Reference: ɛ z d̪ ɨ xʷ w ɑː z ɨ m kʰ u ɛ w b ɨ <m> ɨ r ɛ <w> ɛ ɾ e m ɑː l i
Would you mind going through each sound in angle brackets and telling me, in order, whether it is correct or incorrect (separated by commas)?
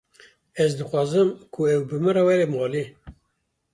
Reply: correct, correct